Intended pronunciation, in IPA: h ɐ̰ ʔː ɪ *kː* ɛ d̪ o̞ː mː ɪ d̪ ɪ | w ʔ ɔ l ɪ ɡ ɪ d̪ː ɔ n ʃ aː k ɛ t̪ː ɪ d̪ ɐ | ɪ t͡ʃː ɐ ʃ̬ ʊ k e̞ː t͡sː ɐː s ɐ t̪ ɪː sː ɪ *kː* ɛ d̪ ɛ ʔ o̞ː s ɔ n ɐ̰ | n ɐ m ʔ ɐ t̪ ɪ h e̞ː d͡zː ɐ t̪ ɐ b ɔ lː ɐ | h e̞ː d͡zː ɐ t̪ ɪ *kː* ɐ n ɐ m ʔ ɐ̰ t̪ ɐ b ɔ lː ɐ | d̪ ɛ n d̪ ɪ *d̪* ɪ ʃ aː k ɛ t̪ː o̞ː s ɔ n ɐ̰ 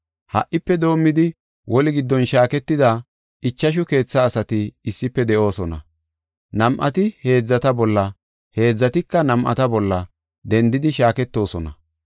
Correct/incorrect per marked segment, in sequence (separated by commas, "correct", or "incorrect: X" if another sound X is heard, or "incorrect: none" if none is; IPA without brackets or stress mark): incorrect: pː, incorrect: pː, correct, correct